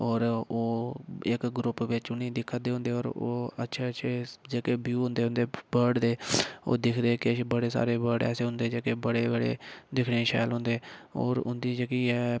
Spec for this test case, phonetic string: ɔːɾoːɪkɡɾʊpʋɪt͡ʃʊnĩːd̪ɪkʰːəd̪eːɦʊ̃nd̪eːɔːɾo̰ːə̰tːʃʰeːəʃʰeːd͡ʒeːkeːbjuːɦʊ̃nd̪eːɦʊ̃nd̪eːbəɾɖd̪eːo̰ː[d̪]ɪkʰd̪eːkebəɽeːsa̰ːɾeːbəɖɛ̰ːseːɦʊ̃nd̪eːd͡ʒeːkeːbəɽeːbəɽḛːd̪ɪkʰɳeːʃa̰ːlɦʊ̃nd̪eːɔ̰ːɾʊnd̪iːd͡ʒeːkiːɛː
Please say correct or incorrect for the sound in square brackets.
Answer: correct